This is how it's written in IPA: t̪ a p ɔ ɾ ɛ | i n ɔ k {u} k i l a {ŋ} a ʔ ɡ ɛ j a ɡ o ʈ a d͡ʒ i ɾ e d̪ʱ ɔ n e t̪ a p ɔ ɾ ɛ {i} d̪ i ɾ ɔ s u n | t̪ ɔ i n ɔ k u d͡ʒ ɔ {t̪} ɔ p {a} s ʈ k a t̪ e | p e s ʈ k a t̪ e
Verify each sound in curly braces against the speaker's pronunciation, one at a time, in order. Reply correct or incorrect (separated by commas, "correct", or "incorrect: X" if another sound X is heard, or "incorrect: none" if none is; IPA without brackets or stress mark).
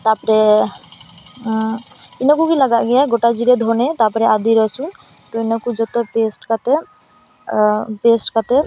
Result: correct, incorrect: ɡ, incorrect: a, correct, incorrect: e